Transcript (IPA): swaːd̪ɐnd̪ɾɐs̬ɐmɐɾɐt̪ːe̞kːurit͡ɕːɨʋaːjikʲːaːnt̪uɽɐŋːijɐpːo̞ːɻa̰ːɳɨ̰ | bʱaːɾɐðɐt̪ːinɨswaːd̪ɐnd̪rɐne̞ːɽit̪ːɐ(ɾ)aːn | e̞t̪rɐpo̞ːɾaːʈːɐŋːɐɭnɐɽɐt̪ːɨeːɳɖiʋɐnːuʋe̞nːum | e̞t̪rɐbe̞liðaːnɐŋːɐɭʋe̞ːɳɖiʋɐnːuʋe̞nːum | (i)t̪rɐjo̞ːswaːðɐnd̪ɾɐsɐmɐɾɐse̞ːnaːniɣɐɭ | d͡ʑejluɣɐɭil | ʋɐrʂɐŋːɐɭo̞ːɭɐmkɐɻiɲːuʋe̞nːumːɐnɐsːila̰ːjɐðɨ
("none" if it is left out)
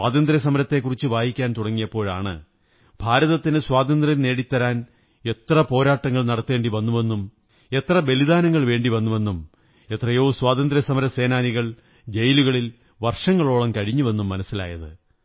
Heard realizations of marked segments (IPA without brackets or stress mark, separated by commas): ɾ, e